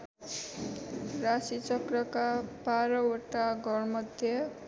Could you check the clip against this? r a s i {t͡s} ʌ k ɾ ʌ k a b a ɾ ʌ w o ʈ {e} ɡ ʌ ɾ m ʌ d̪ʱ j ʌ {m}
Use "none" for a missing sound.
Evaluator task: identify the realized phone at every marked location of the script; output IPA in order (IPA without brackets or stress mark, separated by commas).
t͡s, a, none